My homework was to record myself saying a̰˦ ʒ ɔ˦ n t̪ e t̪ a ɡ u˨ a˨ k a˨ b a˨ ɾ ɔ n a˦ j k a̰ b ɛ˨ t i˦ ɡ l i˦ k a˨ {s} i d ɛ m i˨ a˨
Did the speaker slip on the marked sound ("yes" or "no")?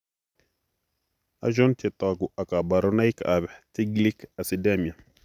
no